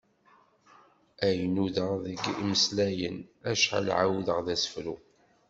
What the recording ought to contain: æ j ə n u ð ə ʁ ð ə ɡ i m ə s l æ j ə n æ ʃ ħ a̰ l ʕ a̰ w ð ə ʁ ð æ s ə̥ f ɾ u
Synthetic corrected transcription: æ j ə n u ð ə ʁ ð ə ɡ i m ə s l æ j ə n æ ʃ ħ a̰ l ʕ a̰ w ð ə ʁ ð æ s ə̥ f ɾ u